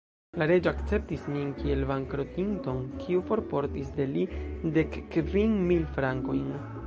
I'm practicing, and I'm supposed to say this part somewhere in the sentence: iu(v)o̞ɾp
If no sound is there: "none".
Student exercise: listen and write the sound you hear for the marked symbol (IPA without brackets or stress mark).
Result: f